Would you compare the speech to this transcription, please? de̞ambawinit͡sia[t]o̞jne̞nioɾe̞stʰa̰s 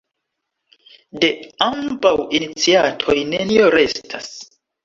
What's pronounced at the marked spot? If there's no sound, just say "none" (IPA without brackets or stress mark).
tʰ